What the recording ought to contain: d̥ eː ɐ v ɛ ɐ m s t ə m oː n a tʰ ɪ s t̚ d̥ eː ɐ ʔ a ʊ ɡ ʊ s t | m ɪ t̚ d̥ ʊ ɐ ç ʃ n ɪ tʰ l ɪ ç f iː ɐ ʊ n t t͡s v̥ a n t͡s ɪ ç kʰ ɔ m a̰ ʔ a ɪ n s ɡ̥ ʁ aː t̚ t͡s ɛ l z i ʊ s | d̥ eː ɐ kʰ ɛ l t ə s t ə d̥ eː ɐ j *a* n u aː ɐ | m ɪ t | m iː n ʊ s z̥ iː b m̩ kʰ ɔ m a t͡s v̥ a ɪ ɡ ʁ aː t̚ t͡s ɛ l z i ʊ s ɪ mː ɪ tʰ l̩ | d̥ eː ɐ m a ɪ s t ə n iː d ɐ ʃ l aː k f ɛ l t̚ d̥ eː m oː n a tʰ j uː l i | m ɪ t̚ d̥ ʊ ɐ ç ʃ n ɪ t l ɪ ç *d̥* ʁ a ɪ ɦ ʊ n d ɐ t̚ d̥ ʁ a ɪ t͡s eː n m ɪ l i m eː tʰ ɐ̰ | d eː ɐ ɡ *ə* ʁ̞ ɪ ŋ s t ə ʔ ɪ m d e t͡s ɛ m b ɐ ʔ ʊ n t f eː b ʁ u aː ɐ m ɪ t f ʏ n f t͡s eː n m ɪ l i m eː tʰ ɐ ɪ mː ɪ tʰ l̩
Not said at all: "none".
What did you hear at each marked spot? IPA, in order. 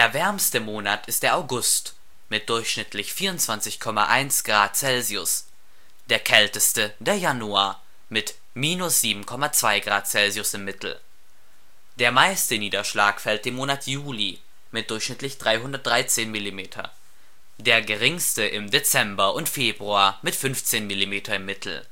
a, d̥, ə

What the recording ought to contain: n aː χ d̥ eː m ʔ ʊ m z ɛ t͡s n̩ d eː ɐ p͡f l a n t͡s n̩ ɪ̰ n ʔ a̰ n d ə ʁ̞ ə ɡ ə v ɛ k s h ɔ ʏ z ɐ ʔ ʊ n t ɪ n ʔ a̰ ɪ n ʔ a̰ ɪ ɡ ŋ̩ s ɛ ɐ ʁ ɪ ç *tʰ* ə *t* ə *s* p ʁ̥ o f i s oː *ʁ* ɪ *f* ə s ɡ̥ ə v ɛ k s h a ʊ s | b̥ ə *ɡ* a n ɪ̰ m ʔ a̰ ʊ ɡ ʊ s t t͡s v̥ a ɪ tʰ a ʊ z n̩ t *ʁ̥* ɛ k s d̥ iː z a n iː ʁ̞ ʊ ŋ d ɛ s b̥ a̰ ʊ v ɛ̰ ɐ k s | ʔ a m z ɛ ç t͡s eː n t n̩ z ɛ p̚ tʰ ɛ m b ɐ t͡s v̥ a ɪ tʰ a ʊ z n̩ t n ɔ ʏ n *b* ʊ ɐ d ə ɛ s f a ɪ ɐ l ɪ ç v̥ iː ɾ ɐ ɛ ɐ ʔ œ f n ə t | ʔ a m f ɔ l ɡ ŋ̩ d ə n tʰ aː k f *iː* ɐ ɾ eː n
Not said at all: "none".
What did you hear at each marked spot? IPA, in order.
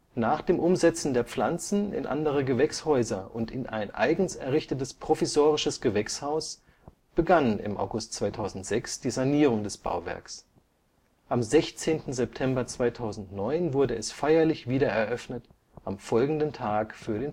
t, t, s, ʁ, ʃ, ɡ, z̥, v, yː

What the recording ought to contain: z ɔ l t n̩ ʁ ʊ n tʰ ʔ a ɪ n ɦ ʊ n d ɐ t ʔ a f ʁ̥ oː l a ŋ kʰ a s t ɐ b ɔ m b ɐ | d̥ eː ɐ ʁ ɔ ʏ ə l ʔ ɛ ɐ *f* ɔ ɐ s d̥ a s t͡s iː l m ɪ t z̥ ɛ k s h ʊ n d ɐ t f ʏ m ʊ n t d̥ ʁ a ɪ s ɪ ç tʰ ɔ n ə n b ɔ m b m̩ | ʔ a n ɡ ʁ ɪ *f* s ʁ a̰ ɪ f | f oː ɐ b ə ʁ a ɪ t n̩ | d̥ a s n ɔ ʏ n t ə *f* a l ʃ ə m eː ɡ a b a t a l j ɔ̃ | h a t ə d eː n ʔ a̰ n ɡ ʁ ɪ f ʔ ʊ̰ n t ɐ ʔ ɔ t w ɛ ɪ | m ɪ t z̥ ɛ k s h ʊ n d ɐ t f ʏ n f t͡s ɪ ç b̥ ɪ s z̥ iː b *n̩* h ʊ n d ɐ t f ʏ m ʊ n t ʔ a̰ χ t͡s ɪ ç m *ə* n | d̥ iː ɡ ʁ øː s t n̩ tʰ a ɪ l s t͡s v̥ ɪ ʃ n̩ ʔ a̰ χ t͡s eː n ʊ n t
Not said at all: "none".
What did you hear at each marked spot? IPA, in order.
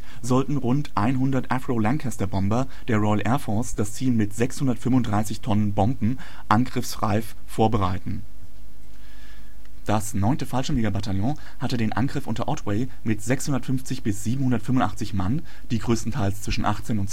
f, f, f, m̩, a

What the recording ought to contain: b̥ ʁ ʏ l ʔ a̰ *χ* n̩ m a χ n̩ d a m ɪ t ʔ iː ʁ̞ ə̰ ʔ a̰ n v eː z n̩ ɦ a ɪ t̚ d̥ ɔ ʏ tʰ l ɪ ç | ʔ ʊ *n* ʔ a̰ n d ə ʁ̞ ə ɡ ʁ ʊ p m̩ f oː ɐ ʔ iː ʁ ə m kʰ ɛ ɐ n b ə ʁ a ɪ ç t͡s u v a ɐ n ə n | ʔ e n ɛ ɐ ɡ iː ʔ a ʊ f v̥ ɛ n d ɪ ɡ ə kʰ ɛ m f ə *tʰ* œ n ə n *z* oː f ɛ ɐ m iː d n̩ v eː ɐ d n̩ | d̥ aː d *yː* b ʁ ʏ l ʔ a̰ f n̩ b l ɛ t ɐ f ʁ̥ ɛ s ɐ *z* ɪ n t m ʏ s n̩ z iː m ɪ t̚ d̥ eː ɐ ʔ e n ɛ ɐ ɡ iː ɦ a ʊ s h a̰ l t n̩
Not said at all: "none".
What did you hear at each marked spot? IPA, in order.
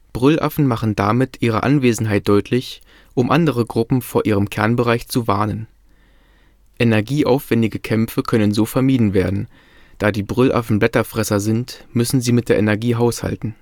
f, m, kʰ, z, iː, z

